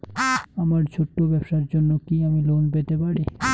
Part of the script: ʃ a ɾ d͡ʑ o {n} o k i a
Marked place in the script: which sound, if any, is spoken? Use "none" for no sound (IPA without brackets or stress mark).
nː